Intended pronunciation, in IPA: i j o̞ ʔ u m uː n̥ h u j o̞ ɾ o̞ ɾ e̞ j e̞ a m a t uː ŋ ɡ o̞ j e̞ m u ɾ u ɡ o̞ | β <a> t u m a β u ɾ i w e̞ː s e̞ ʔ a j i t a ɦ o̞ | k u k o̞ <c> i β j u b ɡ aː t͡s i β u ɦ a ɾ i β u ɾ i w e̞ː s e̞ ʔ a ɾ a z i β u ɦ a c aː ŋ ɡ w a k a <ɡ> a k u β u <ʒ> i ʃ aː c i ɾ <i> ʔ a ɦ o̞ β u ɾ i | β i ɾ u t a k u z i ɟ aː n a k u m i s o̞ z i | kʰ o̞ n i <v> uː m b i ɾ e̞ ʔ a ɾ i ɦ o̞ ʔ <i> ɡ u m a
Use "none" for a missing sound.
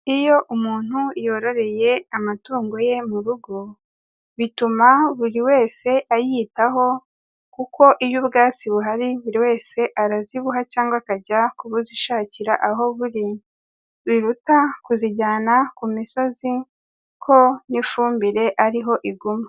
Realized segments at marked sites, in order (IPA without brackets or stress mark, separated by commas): i, ʔ, ɟ, z, a, f, i